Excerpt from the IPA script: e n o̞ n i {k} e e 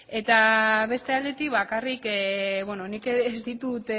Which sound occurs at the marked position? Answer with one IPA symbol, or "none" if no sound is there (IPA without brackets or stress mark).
k